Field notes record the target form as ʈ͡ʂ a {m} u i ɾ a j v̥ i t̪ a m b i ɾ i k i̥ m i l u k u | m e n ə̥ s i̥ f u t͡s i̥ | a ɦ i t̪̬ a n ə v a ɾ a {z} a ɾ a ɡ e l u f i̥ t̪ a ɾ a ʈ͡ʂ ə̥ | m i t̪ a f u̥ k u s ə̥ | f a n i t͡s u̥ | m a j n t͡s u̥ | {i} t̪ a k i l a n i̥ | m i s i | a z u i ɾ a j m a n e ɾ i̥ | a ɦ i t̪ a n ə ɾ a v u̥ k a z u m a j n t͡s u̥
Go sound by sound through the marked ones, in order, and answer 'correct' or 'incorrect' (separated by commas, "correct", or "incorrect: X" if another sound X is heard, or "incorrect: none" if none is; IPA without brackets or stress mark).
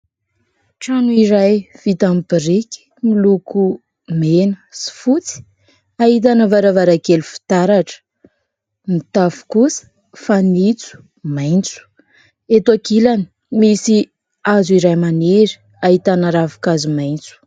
incorrect: n, incorrect: v, incorrect: e